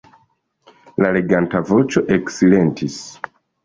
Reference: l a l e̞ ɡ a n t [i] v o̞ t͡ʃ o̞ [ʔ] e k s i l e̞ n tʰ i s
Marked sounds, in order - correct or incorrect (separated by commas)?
incorrect, correct